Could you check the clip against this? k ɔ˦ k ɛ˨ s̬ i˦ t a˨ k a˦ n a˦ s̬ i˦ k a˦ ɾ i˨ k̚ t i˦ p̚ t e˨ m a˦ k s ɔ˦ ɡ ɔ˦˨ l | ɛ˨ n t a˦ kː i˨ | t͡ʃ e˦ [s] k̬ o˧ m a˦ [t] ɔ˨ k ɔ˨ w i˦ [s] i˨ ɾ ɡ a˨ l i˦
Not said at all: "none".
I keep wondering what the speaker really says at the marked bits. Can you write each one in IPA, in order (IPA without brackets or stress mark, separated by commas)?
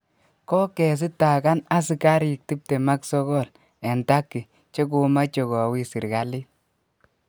none, t͡ʃ, s